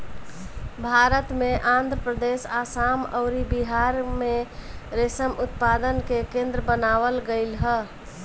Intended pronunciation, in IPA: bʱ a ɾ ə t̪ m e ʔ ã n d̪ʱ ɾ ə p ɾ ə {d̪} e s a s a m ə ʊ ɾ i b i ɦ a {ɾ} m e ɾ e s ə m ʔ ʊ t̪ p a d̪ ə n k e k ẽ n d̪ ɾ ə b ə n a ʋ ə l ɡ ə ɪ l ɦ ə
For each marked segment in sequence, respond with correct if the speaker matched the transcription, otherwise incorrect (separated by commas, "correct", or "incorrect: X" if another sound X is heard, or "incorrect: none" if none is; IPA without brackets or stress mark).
correct, correct